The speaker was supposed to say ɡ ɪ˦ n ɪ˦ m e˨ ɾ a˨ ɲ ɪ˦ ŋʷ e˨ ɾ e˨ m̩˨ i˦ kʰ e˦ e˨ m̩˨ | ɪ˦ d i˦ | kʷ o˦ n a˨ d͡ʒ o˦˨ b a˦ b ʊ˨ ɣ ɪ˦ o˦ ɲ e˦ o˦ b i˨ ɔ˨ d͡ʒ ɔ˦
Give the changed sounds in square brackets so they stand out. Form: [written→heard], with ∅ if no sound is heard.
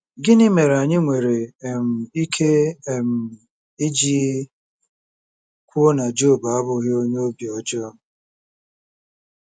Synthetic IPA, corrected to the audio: ɡ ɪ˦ n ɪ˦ m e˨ ɾ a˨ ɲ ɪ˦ ŋʷ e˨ ɾ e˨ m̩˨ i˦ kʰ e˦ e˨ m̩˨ | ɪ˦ [d→d͡ʒ] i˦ | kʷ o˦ n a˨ d͡ʒ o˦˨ b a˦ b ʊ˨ ɣ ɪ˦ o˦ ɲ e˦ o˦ b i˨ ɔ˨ d͡ʒ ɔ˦